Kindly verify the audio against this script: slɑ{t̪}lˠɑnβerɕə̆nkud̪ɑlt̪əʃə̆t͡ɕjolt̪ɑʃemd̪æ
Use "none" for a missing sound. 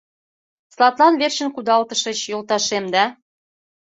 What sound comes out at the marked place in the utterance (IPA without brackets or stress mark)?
t̪